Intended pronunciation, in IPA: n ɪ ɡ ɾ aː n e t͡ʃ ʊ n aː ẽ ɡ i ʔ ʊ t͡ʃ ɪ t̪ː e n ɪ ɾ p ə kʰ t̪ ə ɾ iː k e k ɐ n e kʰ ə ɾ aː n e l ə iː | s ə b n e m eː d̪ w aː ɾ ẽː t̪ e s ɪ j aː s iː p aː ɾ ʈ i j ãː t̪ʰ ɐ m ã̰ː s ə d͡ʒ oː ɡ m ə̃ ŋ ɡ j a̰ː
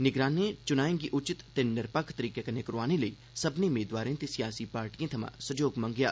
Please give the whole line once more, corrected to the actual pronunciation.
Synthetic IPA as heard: n ɪ ɡ ɾ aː n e t͡ʃ ʊ n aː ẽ ɡ i ʔ ʊ t͡ʃ ɪ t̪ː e n ɪ ɾ p ə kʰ t̪ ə ɾ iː k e k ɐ n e k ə ɾ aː n e l ə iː | s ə b n e m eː d̪ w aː ɾ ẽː t̪ e s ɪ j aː s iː p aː ɾ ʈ i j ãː t̪ʰ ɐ m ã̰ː s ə d͡ʒ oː ɡ m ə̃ ŋ ɡ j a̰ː